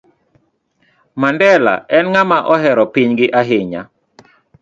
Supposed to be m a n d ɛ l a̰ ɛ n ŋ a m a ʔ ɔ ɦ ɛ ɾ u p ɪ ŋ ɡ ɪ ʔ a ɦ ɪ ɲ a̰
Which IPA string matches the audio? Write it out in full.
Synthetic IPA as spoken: m a n d ɛ l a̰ ɛ n ŋ a m a ʔ ɔ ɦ ɛ ɾ ɔ p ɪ ɲ ɡ ɪ ʔ a ɦ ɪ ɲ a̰